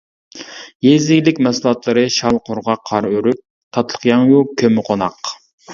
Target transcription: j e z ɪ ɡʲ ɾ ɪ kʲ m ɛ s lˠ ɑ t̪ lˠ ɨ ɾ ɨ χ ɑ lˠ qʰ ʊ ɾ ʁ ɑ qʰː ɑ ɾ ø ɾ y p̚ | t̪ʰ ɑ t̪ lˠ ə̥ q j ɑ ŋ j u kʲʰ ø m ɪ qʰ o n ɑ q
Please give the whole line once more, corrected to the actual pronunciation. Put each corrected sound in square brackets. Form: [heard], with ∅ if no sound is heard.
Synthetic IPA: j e z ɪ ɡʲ [l] ɪ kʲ m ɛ s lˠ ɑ t̪ lˠ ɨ ɾ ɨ [ʃ] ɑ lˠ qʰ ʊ ɾ ʁ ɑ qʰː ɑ ɾ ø ɾ y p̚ | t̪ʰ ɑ t̪ lˠ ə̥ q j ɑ ŋ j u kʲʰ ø m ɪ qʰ o n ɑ q